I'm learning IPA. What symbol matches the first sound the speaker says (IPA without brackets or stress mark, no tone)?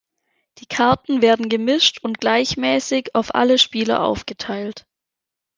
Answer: d̥